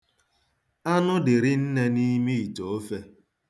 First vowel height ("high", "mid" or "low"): low